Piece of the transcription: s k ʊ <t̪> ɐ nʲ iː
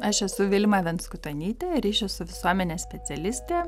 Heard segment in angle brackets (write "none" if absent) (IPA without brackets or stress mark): t̪